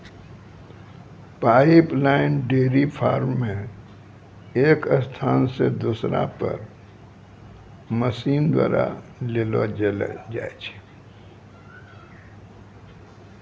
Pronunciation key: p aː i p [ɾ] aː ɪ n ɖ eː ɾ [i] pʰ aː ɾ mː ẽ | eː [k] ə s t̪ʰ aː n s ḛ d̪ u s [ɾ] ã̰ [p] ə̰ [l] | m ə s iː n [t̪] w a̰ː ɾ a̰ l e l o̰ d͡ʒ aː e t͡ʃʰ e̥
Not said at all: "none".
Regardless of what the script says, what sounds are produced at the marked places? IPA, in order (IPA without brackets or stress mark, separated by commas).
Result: l, i, k, ɾ, p, ɾ, d̪